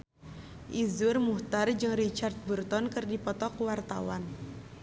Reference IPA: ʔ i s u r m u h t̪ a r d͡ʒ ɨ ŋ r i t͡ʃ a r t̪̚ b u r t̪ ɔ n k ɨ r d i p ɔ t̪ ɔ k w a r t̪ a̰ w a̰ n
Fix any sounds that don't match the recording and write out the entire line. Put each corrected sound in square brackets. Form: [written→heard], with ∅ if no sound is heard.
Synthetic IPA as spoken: ʔ i [s→z] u r m u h t̪ a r d͡ʒ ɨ ŋ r i t͡ʃ a r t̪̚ b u r t̪ ɔ n k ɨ r d i p ɔ t̪ ɔ k w a r t̪ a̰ w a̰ n